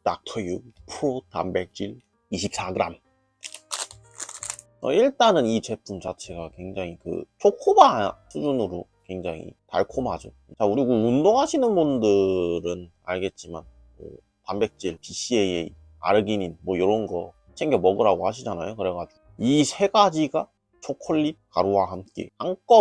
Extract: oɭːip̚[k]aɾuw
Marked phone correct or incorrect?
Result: correct